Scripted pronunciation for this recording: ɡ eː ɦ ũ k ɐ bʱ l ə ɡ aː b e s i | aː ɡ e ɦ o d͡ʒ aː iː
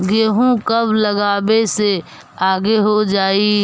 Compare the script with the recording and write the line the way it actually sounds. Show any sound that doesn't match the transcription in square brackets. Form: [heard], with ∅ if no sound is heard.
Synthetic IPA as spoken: ɡ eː ɦ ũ k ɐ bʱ l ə ɡ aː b e s [e] | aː ɡ e ɦ o d͡ʒ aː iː

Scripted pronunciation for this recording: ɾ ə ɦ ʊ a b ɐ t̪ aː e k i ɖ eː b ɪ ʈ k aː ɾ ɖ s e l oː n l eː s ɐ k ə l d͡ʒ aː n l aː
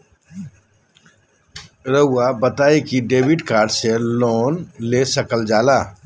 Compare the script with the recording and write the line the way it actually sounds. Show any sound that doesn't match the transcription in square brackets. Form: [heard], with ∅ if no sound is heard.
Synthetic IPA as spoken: ɾ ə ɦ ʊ a b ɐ t̪ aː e k i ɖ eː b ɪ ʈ k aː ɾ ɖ s e l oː n l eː s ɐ k ə l d͡ʒ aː [∅] l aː

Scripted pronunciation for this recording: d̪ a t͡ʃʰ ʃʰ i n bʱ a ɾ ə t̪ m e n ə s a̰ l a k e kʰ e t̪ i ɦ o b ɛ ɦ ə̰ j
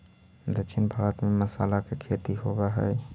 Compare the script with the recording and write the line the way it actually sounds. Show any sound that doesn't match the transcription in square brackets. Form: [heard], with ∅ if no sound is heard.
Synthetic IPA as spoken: d̪ [ə] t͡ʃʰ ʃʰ i n bʱ a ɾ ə t̪ m e [m] ə s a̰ l a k e kʰ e t̪ i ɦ o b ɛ ɦ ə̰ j

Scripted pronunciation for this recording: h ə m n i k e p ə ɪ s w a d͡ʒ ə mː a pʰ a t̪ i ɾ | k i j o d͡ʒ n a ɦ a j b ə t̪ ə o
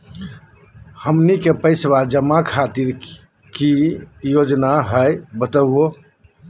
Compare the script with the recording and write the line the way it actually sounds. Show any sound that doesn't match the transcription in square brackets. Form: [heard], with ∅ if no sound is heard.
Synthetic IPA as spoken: h ə m n i k e p ə ɪ s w a d͡ʒ ə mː a [kʰ] a t̪ i ɾ | k i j o d͡ʒ n a ɦ [ə] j b ə t̪ ə o

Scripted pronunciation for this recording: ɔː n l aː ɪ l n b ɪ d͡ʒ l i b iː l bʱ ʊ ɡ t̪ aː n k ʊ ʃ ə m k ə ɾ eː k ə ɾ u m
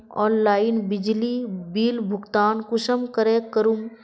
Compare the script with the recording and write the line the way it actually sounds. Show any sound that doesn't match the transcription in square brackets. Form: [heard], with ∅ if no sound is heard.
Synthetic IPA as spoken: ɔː n l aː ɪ [∅] n b ɪ d͡ʒ l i b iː l bʱ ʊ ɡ t̪ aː n k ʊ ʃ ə m k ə ɾ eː k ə ɾ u m

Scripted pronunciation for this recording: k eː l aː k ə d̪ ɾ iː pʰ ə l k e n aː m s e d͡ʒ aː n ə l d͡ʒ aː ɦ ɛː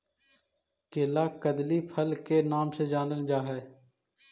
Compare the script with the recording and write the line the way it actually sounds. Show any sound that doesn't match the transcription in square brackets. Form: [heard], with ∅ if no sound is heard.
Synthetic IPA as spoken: k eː l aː k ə d̪ [l] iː pʰ ə l k e n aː m s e d͡ʒ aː n ə l d͡ʒ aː ɦ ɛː

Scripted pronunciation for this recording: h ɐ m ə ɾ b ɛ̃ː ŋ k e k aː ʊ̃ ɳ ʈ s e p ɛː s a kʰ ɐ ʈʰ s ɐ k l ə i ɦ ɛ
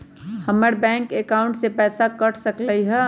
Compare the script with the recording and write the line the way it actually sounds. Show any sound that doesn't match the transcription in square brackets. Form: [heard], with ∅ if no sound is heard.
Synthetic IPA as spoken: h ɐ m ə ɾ b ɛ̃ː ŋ k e k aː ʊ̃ ɳ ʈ s e p ɛː s a [k] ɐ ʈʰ s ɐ k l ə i ɦ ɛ

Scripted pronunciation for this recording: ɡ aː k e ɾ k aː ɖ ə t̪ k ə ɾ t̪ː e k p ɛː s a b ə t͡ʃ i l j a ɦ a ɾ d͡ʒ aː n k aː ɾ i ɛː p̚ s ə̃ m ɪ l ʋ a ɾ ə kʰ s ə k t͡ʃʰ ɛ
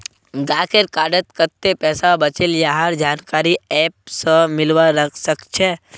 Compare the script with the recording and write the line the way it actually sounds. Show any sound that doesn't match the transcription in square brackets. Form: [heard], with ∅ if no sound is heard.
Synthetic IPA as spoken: ɡ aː k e ɾ k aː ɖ ə t̪ k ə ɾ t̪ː e [∅] p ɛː s a b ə t͡ʃ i l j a ɦ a ɾ d͡ʒ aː n k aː ɾ i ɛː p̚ s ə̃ m ɪ l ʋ a ɾ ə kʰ s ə k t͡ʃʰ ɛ

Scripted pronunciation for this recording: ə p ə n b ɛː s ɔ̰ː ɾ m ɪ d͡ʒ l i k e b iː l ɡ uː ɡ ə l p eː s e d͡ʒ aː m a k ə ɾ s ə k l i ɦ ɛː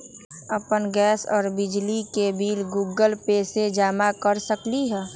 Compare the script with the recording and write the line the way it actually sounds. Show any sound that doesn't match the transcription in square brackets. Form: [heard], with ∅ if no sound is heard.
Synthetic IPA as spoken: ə p ə n [ɡ] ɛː s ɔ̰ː ɾ [b] ɪ d͡ʒ l i k e b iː l ɡ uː ɡ ə l p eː s e d͡ʒ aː m a k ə ɾ s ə k l i ɦ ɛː

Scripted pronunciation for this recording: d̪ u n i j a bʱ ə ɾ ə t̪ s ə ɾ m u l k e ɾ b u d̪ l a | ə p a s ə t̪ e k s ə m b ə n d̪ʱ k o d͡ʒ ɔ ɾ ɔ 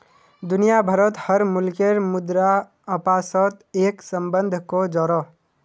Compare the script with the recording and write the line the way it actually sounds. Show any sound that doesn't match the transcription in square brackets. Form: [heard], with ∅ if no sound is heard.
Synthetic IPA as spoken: d̪ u n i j a bʱ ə ɾ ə t̪ [h] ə ɾ m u l k e ɾ [m] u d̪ [ɾ] a | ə p a s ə t̪ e k s ə m b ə n d̪ʱ k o d͡ʒ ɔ ɾ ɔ

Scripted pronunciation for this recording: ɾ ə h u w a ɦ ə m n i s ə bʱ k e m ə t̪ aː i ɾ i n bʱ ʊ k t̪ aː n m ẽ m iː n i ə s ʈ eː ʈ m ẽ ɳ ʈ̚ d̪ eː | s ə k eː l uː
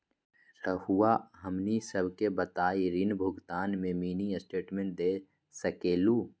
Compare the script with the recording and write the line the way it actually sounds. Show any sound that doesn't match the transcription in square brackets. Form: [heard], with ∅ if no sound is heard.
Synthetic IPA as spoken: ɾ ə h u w a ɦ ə m n i s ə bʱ k e [b] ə t̪ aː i ɾ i n bʱ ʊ [ɡ] t̪ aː n m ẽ m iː n i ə s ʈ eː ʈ m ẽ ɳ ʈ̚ d̪ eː | s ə k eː l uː

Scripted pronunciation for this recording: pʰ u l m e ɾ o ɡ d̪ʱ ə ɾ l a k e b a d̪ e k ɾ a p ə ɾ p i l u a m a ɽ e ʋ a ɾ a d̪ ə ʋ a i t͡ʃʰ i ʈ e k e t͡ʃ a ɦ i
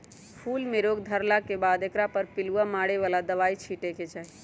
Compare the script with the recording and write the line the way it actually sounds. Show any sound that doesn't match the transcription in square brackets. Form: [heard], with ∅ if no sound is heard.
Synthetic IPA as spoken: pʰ u l m e ɾ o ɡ d̪ʱ ə ɾ l a k e b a d̪ e k ɾ a p ə ɾ p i l u a m a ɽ e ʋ a [l] a d̪ ə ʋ a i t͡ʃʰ i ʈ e k e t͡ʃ a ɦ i

